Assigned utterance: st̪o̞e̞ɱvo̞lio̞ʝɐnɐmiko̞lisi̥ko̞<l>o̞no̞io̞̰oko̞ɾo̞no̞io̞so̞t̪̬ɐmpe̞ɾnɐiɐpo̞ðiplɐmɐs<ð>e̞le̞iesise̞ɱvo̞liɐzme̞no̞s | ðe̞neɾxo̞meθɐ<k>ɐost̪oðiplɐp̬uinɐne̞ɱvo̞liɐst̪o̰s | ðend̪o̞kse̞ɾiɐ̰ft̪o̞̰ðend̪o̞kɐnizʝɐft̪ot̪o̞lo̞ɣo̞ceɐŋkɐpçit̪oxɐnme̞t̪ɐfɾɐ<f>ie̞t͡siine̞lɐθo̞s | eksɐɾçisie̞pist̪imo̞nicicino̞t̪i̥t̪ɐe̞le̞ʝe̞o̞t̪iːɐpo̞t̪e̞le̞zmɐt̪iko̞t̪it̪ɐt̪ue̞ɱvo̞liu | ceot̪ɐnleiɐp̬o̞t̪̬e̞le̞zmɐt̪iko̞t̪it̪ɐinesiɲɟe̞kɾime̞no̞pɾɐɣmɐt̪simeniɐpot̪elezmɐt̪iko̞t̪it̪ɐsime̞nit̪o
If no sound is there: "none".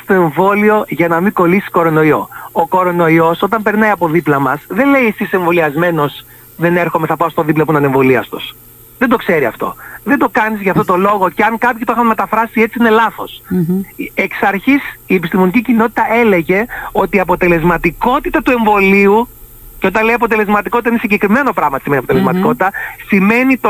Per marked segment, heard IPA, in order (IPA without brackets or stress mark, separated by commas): ɾ, ð, p, s